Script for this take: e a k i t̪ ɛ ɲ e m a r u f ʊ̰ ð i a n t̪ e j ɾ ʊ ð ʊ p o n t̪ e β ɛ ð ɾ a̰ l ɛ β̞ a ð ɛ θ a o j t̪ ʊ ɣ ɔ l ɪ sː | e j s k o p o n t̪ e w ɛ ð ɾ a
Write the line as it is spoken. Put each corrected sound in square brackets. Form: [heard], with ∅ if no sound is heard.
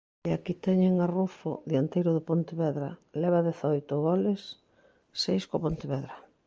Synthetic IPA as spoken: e a k i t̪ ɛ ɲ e [ŋ] a r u f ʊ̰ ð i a n t̪ e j ɾ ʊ ð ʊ p o n t̪ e β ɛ ð ɾ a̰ l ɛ β̞ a ð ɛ θ a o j t̪ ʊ ɣ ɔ l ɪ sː | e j s k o p o n t̪ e [β] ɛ ð ɾ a